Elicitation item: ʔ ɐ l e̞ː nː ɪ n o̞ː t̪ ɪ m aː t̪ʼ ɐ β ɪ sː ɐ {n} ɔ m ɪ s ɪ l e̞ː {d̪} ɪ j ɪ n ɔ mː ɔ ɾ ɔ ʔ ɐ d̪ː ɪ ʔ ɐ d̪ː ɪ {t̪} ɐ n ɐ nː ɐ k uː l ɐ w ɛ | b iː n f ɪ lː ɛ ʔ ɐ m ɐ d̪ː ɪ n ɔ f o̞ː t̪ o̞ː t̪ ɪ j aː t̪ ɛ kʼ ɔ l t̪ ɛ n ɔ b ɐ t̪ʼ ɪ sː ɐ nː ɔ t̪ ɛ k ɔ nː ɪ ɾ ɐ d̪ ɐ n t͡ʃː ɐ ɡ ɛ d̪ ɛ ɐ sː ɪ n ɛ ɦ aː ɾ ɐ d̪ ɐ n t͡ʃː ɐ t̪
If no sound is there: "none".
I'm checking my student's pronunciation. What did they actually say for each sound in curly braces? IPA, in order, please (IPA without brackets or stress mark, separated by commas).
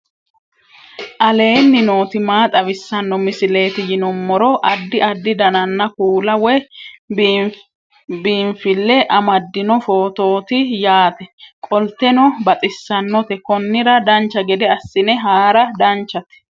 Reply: nː, t̪, d̪